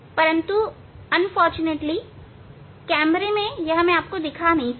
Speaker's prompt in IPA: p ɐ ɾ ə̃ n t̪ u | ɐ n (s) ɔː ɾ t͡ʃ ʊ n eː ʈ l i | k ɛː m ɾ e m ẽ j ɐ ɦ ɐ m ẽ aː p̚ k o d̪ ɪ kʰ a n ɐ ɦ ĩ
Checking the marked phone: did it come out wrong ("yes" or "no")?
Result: yes